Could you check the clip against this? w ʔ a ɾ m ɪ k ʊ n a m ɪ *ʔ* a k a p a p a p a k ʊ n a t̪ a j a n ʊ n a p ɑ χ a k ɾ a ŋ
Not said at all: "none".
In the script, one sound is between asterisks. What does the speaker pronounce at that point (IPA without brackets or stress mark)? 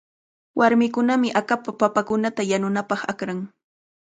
ʔ